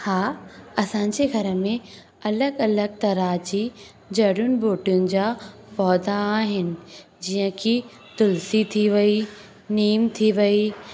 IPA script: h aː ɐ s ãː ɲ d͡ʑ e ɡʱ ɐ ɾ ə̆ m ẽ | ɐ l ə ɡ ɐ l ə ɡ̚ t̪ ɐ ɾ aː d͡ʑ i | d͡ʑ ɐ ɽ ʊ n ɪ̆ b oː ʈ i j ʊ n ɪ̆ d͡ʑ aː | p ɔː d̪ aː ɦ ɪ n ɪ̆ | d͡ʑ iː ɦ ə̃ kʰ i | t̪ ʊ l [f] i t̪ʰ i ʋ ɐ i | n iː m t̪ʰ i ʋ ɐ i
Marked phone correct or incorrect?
incorrect: s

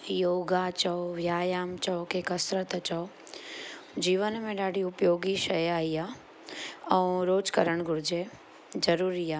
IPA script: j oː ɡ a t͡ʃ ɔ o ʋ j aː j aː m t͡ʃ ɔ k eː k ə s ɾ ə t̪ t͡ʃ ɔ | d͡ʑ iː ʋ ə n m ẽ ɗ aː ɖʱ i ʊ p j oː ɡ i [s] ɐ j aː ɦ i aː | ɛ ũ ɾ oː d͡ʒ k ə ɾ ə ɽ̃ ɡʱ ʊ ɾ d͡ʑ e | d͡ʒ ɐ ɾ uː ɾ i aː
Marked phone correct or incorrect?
incorrect: ʃ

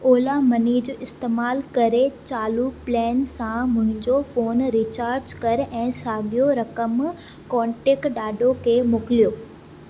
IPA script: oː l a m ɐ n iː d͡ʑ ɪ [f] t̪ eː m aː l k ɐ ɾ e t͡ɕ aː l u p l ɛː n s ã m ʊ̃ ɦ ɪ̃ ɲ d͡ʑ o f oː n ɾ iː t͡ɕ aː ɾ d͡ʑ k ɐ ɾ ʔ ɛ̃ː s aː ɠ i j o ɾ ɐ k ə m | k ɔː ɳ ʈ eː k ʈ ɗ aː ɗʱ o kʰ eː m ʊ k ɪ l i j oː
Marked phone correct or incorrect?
incorrect: s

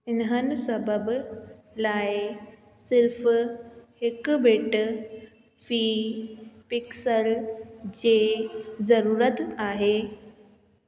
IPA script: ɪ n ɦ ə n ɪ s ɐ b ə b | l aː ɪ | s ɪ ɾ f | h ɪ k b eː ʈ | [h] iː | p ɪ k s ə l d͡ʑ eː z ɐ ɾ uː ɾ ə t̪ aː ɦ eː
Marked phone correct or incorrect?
incorrect: f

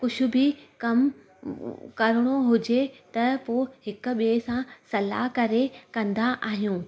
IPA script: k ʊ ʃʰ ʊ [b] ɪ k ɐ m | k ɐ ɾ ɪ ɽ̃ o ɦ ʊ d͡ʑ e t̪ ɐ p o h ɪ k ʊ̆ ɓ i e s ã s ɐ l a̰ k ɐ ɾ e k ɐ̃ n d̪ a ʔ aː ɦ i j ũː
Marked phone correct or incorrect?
correct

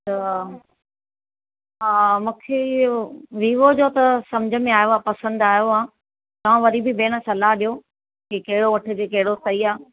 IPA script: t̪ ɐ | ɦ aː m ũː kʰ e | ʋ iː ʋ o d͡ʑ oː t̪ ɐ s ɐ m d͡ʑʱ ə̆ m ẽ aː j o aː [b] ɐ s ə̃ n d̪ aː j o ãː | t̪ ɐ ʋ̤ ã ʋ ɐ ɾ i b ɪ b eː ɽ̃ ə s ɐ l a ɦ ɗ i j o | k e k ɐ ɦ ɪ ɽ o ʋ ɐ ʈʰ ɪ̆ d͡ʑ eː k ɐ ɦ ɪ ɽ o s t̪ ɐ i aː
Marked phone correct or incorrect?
incorrect: p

